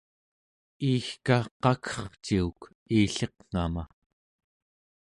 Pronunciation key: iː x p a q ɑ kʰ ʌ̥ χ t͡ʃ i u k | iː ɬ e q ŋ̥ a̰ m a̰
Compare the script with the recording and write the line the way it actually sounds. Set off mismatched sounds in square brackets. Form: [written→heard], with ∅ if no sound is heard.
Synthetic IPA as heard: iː x [p→k] a q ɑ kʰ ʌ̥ χ t͡ʃ i u k | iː ɬ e q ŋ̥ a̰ m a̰

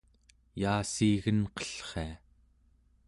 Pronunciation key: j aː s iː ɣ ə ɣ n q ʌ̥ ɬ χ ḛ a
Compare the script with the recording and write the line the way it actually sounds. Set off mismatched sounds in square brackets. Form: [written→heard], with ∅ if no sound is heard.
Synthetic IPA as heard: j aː s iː ɣ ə [ɣ→∅] n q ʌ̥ ɬ χ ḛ a

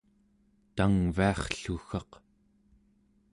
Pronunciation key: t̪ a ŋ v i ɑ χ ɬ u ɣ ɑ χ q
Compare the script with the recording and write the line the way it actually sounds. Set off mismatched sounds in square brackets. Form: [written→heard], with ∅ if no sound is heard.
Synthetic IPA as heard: t̪ a ŋ v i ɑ χ ɬ u [ɣ→x] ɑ [χ→∅] q

